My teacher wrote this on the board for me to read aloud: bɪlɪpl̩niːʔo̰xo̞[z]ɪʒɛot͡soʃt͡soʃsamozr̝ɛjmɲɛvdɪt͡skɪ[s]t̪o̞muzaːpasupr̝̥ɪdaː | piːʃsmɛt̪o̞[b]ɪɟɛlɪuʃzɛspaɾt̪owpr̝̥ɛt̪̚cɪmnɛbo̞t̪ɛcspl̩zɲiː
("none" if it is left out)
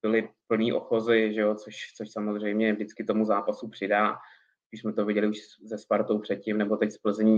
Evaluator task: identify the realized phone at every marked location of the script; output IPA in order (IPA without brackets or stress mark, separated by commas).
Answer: z, none, v